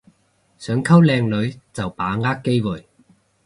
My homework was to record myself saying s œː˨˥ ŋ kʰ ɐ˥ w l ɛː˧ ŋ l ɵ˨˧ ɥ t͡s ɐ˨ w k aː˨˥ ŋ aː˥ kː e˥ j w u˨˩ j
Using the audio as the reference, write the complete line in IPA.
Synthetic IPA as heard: s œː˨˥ ŋ kʰ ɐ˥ w l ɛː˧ ŋ l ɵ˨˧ ɥ t͡s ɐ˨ w p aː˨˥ ŋ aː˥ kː e˥ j w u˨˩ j

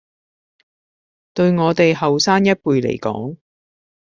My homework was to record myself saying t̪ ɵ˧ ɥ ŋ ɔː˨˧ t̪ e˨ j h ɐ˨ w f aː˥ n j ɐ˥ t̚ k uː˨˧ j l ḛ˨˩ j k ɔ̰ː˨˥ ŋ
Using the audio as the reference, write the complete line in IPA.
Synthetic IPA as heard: t̪ ɵ˧ ɥ ŋ ɔː˨˧ t̪ e˨ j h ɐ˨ w s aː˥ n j ɐ˥ t̚ p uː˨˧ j l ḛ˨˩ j k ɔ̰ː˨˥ ŋ

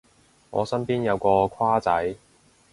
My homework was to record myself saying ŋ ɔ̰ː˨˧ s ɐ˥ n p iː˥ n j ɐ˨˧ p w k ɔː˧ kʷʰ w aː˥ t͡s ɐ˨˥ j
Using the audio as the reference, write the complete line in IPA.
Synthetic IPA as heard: ŋ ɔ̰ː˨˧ s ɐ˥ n p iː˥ n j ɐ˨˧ w k ɔː˧ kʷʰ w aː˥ t͡s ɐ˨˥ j

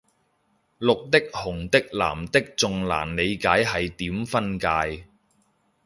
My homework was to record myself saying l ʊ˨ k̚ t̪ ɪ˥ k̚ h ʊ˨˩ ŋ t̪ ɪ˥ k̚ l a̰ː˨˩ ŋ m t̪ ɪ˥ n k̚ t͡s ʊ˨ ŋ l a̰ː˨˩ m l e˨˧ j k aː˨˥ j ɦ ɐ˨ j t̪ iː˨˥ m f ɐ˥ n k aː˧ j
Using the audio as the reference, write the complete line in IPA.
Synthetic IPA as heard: l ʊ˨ k̚ t̪ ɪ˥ k̚ h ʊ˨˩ ŋ t̪ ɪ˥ k̚ l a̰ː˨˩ m t̪ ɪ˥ k̚ t͡s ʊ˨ ŋ l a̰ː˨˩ n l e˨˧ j k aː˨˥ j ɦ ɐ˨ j t̪ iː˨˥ m f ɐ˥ n k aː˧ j

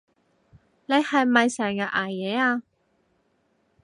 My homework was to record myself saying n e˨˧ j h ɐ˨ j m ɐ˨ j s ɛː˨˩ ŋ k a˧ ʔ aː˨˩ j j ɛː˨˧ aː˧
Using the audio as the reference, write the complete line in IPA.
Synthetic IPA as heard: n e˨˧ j h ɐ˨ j m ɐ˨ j s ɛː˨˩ ŋ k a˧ ʔ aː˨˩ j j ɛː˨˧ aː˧

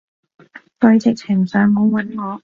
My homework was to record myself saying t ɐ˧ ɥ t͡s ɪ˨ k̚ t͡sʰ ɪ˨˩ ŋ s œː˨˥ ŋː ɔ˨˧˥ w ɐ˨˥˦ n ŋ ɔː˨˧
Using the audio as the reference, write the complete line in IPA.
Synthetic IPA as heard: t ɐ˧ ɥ t͡s ɪ˨ k̚ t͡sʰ ɪ˨˩ ŋ s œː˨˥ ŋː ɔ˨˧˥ w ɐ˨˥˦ n ŋ ɔː˨˧

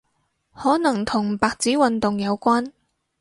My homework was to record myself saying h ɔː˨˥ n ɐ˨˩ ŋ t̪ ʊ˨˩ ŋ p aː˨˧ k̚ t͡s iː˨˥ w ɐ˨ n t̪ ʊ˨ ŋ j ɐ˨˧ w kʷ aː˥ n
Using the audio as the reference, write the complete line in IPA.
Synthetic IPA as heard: h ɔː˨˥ n ɐ˨˩ ŋ t̪ʰ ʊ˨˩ ŋ p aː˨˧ k̚ t͡s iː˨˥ w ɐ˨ n t̪ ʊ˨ ŋ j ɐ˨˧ w kʷ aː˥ n

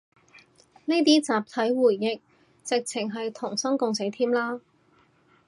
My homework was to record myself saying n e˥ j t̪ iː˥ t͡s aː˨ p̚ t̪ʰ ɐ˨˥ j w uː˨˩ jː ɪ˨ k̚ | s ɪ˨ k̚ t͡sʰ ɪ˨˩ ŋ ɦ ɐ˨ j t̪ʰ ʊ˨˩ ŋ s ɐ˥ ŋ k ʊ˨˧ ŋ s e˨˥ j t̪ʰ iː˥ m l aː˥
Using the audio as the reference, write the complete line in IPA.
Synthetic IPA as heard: n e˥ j t̪ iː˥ t͡s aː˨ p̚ t̪ʰ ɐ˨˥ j w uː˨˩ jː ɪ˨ k̚ | t͡s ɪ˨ k̚ t͡sʰ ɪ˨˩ ŋ ɦ ɐ˨ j t̪ʰ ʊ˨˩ ŋ s ɐ˥ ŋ k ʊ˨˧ ŋ s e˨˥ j t̪ʰ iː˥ m l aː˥

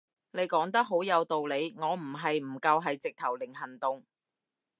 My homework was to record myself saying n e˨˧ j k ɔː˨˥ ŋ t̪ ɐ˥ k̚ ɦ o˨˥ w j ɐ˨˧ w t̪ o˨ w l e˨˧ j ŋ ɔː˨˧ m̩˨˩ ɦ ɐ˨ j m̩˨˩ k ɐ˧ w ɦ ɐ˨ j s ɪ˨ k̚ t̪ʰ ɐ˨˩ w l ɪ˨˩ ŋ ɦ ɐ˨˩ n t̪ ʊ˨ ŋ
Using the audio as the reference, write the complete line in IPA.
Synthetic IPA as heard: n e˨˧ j k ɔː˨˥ ŋ t̪ ɐ˥ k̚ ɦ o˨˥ w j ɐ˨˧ w t̪ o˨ w l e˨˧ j ŋ ɔː˨˧ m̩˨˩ ɦ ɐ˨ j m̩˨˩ k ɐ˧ w ɦ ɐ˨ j t͡s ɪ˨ k̚ t̪ʰ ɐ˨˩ w l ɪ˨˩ ŋ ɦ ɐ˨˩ n t̪ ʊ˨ ŋ

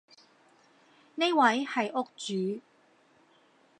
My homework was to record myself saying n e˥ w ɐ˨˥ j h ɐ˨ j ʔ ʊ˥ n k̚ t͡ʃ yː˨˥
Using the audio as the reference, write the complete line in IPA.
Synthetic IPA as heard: n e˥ w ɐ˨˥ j h ɐ˨ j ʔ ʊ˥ k̚ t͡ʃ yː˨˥

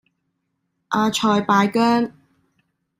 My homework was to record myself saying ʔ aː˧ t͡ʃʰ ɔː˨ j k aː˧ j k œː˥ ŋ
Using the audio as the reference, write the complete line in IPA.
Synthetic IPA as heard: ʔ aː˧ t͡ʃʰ ɔː˨ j p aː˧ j k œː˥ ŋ

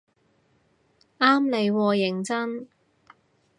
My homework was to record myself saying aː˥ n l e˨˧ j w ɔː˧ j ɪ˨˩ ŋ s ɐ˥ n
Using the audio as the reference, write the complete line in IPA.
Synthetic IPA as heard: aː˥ m l e˨˧ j w ɔː˧ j ɪ˨˩ ŋ t͡s ɐ˥ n

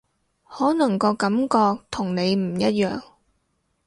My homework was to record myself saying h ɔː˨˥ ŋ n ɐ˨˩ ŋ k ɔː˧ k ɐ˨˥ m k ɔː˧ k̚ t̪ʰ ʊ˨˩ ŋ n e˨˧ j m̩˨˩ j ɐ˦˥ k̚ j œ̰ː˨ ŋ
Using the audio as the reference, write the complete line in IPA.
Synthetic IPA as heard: h ɔː˨˥ n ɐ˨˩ ŋ k ɔː˧ k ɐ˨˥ m k ɔː˧ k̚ t̪ʰ ʊ˨˩ ŋ n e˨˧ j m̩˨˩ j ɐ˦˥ t̚ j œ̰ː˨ ŋ

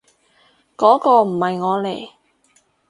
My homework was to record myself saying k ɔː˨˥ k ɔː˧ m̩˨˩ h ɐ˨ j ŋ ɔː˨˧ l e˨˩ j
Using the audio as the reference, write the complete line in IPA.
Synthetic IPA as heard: k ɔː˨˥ k ɔː˧ m̩˨˩ h ɐ˨ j ŋ ɔː˨˧ l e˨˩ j

